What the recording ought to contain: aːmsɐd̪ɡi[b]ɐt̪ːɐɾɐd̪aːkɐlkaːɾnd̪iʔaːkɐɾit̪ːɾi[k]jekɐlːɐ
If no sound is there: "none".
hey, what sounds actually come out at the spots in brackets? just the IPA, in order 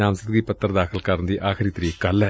p, none

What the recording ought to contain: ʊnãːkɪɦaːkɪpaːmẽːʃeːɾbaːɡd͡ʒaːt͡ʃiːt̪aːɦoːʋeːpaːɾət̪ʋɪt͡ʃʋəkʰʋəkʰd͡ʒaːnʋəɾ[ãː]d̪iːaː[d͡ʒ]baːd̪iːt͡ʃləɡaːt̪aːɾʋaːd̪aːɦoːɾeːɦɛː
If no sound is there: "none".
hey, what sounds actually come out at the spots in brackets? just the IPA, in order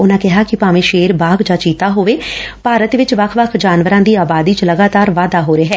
ãː, none

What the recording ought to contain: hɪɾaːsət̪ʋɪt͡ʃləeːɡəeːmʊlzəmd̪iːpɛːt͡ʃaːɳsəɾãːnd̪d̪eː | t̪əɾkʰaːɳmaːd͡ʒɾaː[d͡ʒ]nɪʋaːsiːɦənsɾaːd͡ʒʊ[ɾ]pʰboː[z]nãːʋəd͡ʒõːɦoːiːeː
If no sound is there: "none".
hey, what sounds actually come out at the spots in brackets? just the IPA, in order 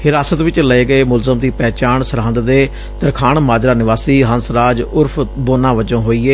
none, ɾ, none

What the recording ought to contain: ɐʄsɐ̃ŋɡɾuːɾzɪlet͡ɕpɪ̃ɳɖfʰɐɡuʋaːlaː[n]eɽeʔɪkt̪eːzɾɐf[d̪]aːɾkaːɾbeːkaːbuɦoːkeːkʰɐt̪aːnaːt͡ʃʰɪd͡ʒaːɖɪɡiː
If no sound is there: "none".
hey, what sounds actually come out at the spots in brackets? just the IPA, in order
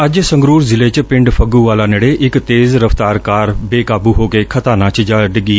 n, t̪

